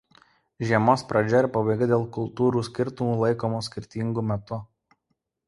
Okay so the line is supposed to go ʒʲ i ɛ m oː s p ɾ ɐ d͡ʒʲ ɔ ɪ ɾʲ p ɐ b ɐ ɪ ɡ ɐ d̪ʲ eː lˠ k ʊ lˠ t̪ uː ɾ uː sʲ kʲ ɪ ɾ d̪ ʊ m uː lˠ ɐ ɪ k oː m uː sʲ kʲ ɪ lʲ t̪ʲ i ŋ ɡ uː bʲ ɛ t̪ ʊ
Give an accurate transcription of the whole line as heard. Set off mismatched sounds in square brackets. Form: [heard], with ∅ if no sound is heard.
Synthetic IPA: ʒʲ i ɛ m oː s p ɾ ɐ d͡ʒʲ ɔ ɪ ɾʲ p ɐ b ɐ ɪ ɡ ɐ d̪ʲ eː lˠ k ʊ lˠ t̪ uː ɾ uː sʲ kʲ ɪ ɾ [t̪] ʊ m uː lˠ ɐ ɪ k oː m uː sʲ kʲ ɪ [ɾʲ] t̪ʲ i ŋ ɡ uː [mʲ] ɛ t̪ ʊ